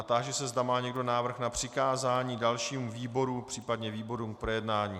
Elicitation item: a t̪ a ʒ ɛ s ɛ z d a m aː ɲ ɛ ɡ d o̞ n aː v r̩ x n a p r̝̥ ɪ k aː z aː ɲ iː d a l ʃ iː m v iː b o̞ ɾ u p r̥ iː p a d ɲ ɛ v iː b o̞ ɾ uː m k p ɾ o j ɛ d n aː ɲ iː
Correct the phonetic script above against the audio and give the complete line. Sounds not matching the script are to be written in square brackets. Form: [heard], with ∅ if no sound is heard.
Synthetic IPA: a t̪ a ʒ ɛ s ɛ z d a m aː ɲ ɛ ɡ d o̞ n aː v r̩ x n a p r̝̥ ɪ k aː z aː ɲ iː d a l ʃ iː m v iː b o̞ ɾ u p r̥ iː p a d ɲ ɛ v iː b o̞ ɾ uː m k p ɾ o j ɛ d n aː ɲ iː